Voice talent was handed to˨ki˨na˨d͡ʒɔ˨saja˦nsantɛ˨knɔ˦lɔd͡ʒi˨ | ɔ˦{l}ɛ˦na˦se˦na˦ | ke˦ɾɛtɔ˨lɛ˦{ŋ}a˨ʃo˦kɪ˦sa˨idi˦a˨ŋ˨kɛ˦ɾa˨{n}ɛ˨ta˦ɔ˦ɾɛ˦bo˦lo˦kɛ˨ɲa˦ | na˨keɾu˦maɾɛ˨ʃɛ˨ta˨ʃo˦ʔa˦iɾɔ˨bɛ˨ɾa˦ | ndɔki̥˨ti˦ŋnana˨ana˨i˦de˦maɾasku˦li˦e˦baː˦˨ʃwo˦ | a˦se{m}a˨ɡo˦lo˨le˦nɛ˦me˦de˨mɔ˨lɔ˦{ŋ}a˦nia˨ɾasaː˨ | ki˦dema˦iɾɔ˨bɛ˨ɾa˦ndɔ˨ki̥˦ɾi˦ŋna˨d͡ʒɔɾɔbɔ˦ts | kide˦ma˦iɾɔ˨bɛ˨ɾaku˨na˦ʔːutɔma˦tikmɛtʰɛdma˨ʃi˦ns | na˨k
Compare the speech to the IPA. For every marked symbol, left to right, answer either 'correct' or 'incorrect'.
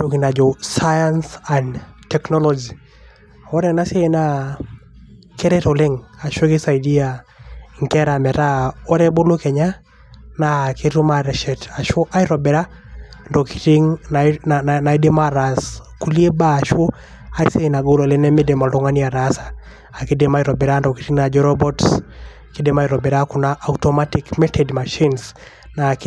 incorrect, correct, incorrect, incorrect, correct

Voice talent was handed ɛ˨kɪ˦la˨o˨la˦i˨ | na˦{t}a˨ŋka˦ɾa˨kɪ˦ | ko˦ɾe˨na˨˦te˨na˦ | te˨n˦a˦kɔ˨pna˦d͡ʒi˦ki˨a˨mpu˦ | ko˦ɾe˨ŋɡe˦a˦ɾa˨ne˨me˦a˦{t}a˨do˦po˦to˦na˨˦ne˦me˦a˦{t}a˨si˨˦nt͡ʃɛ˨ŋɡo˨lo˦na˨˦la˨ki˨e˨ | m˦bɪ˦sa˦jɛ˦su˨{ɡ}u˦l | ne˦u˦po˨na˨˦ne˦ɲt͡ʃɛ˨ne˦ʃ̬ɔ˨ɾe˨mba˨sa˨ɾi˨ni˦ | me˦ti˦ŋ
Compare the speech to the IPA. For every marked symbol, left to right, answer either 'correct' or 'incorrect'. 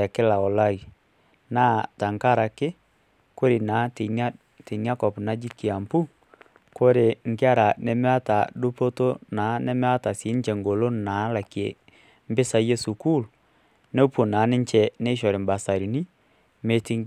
correct, correct, correct, incorrect

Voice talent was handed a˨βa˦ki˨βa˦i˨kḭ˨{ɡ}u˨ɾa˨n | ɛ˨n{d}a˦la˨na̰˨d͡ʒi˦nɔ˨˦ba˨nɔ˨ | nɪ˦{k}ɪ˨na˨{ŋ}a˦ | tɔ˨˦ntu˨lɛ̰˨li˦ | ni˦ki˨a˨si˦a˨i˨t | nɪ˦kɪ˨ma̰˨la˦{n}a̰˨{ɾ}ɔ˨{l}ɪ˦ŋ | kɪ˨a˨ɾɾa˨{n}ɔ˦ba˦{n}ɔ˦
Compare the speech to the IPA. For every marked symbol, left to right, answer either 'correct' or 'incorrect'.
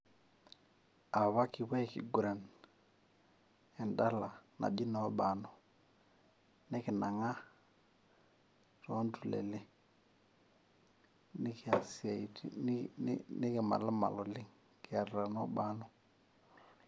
correct, correct, correct, correct, incorrect, incorrect, correct, correct, correct

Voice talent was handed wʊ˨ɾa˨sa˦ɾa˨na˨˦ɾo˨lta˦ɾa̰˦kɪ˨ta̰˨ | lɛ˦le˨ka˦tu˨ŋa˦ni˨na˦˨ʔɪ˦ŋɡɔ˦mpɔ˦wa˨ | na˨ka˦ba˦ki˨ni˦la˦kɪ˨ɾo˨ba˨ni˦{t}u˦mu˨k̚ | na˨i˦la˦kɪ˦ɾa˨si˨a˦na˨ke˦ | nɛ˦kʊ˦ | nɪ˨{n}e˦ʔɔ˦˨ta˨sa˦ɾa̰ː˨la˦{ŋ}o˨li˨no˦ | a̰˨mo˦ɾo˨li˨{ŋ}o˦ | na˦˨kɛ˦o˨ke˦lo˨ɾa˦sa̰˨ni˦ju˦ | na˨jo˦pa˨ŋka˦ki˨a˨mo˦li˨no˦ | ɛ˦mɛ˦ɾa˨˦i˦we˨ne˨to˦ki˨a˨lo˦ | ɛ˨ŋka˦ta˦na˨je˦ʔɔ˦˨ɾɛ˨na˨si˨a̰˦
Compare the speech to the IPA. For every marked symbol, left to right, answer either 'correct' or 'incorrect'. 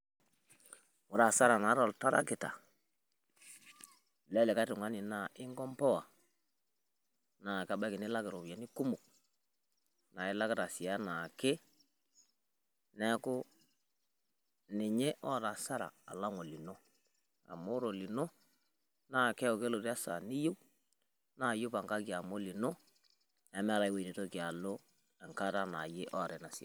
incorrect, incorrect, correct, incorrect

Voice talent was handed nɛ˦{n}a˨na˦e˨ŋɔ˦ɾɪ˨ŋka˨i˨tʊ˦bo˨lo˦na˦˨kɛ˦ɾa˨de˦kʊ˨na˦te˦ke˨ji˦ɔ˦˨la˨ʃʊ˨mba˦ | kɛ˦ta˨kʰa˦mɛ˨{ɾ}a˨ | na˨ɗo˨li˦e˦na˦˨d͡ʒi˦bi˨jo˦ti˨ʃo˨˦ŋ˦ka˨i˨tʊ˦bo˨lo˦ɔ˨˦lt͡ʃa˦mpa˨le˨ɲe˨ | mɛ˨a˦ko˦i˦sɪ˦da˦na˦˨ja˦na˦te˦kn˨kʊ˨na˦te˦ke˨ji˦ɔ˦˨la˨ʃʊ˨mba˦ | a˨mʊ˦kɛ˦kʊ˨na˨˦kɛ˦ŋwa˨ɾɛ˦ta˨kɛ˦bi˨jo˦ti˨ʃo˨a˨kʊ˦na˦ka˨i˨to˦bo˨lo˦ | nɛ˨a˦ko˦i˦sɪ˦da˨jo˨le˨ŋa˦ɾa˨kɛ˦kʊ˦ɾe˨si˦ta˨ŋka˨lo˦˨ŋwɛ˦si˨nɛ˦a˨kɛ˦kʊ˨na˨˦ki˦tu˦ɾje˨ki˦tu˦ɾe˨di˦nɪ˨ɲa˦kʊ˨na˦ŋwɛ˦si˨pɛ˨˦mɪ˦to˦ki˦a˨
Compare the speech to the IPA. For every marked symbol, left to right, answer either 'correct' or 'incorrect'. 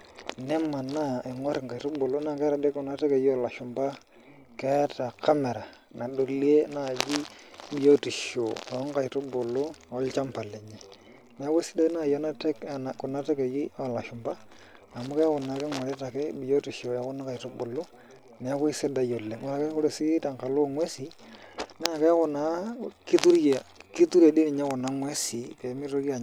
incorrect, correct

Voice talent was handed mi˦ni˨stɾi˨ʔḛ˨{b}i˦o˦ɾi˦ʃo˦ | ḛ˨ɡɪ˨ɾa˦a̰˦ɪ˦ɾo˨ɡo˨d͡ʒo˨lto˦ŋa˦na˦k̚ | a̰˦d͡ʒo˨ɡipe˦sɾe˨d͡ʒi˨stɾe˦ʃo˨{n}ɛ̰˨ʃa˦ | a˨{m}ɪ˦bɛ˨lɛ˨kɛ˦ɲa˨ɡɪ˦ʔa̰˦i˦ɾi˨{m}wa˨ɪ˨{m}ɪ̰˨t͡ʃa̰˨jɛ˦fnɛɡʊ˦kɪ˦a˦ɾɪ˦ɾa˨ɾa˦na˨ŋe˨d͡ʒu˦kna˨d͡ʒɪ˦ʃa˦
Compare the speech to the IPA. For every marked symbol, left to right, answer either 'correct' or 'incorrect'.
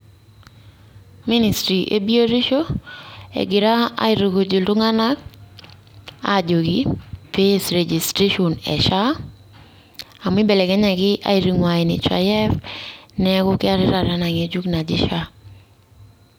correct, correct, correct, incorrect, incorrect

